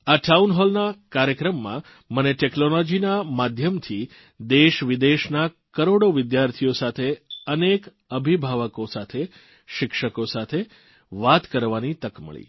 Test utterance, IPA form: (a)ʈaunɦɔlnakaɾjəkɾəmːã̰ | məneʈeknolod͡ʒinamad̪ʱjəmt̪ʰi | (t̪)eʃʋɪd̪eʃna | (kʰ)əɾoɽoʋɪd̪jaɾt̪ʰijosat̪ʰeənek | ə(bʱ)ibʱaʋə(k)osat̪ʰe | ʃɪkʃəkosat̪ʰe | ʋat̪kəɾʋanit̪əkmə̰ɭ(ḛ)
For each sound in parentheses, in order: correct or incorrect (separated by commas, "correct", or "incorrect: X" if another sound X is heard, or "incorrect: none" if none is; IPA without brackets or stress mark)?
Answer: correct, incorrect: d̪, incorrect: k, correct, correct, incorrect: ḭ